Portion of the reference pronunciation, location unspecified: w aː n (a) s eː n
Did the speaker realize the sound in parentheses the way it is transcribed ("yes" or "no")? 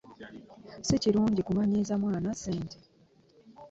yes